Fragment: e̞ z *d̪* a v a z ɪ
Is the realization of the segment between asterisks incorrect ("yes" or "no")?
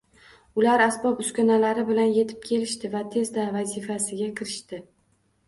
no